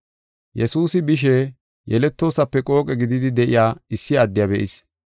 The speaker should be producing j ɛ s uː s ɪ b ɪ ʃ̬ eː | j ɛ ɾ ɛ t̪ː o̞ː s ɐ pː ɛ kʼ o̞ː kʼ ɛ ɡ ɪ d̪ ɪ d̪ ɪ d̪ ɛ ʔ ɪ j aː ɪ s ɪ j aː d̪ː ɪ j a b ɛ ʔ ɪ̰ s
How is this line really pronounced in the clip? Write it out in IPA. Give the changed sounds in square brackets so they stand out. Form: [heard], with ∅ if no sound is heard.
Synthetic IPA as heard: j ɛ s uː s ɪ b ɪ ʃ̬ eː | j ɛ [l] ɛ t̪ː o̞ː s ɐ pː ɛ kʼ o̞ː kʼ ɛ ɡ ɪ d̪ ɪ d̪ ɪ d̪ ɛ ʔ ɪ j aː ɪ [sː] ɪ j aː d̪ː ɪ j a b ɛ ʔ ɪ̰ s